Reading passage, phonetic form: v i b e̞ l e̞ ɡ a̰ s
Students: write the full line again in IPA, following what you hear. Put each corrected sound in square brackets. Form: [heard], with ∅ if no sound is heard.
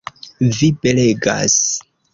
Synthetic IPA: v i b e̞ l e̞ ɡ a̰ s